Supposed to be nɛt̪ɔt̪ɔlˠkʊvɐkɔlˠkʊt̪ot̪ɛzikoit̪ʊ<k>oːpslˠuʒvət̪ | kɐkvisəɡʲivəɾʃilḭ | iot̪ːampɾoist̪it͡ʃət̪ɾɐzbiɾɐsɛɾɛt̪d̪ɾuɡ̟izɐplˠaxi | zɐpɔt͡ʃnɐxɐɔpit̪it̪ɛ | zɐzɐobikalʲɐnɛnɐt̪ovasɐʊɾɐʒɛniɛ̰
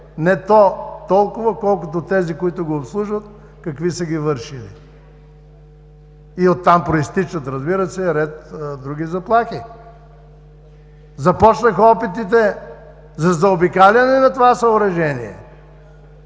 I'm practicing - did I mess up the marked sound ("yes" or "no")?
yes